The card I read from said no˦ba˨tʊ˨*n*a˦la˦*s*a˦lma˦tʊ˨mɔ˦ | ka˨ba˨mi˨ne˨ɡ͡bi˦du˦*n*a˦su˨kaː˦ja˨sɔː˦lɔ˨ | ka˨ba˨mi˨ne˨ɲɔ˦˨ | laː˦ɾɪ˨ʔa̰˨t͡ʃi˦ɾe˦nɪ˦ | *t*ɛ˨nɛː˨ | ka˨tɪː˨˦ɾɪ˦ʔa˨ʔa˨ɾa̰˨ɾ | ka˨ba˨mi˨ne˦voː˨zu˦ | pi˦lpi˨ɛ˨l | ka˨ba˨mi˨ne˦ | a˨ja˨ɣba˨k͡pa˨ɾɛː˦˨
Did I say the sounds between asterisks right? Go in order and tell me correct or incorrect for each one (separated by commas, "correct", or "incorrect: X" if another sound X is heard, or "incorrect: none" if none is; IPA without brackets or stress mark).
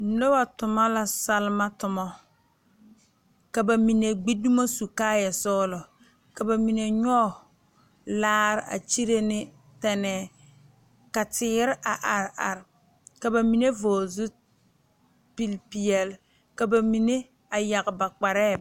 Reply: incorrect: m, correct, incorrect: m, correct